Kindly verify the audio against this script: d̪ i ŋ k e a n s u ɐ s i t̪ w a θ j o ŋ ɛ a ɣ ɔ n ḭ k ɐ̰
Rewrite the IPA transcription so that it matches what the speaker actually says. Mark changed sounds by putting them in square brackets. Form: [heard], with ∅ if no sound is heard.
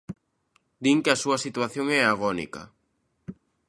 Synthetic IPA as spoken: d̪ i ŋ k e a [∅] s u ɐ s i t̪ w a θ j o ŋ ɛ a ɣ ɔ n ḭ k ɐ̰